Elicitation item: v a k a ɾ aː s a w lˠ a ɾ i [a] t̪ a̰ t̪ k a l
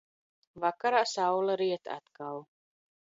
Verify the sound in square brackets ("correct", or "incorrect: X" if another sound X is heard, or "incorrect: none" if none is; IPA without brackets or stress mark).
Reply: incorrect: ɛ